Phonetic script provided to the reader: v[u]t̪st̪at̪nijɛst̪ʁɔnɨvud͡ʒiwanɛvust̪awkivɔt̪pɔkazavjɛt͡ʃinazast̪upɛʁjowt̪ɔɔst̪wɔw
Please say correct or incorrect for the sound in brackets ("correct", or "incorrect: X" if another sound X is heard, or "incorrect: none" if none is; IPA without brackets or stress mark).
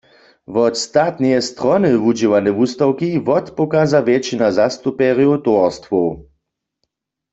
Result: incorrect: ɔ